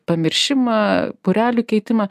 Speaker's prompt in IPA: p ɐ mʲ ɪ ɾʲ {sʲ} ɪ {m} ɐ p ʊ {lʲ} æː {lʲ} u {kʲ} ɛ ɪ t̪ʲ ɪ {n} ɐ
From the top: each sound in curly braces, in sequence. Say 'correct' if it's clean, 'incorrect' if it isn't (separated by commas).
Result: incorrect, correct, incorrect, correct, correct, incorrect